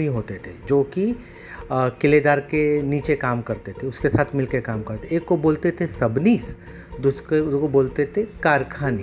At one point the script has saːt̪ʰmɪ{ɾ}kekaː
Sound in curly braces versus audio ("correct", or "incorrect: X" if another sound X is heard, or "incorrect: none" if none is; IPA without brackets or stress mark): incorrect: l